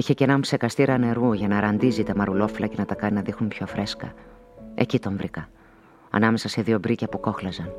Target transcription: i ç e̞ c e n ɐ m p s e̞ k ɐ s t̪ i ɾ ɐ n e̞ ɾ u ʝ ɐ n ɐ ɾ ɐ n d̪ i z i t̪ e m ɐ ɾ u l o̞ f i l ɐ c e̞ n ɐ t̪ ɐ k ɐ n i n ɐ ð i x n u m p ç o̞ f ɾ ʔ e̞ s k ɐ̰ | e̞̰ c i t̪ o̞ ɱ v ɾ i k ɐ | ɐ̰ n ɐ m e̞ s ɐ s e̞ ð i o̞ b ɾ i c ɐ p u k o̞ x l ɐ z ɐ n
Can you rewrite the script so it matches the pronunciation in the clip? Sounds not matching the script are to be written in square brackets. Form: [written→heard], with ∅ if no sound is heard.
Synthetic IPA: i ç e̞ c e n ɐ m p s e̞ k ɐ s t̪ i ɾ ɐ n e̞ ɾ u ʝ ɐ n ɐ ɾ ɐ n d̪ i z i t̪ e m ɐ ɾ u l o̞ f i l ɐ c e̞ n ɐ t̪ ɐ k ɐ n i n ɐ ð i x n u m p ç o̞ f ɾ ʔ e̞ s k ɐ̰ | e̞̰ c i t̪ o̞ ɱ v ɾ i k ɐ | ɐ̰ n ɐ m e̞ s ɐ s e̞ ð i o̞ b ɾ i c ɐ p u k o̞ x l ɐ z ɐ n